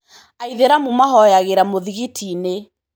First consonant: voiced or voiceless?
voiced